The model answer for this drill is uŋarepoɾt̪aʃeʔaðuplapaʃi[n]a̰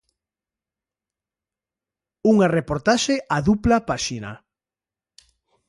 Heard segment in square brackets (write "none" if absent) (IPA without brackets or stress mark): n